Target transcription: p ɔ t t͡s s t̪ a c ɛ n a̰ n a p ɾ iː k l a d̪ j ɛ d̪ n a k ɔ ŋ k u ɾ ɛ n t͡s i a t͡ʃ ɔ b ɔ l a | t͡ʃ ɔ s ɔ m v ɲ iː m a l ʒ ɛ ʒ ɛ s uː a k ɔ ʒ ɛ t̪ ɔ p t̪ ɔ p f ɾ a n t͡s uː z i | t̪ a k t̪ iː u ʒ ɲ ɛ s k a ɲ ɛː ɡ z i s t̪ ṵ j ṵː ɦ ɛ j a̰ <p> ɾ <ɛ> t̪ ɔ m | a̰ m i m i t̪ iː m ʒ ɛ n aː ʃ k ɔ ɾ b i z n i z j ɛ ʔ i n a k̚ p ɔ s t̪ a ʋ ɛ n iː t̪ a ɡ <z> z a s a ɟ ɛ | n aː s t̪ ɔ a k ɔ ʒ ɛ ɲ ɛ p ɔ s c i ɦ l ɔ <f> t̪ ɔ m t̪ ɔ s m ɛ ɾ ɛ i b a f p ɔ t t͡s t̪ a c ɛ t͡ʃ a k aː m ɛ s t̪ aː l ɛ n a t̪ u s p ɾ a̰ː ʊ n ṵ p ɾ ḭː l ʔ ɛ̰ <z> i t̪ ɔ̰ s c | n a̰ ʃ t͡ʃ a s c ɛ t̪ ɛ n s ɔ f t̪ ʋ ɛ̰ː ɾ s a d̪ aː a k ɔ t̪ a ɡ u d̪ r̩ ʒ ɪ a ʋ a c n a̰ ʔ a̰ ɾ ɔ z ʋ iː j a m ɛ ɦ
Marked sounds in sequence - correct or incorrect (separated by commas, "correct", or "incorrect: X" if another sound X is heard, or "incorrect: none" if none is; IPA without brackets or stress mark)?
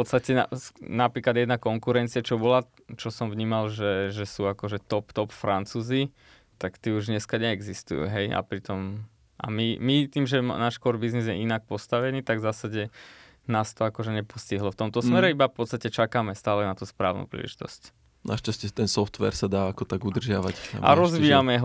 correct, incorrect: i, incorrect: v, correct, incorrect: ʒ